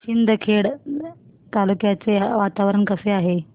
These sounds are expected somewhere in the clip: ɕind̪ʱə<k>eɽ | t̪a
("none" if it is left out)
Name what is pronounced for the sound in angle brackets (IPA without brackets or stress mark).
kʰ